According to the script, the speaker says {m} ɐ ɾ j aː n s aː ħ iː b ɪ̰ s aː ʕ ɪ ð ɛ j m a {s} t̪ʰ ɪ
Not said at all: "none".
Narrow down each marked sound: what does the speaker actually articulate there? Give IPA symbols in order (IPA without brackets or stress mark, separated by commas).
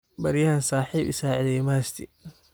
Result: b, s